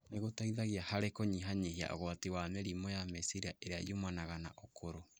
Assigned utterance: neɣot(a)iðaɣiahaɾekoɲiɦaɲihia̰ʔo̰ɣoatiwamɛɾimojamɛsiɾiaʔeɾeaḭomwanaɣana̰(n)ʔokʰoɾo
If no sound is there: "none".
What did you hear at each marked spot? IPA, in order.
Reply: a, none

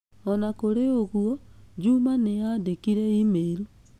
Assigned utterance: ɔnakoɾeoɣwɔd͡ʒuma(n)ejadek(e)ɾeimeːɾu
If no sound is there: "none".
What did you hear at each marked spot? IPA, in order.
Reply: n, i

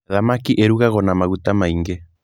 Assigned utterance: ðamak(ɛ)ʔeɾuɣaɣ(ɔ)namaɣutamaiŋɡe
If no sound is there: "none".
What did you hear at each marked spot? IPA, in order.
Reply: i, ɔ

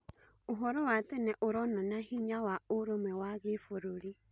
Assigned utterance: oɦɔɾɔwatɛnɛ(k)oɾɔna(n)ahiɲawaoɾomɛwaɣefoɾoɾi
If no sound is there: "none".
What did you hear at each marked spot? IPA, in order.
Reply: ʔ, n

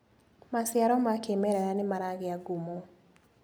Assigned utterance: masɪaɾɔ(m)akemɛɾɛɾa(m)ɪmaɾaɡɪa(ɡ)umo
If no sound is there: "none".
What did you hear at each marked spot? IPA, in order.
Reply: m, n, ɡ

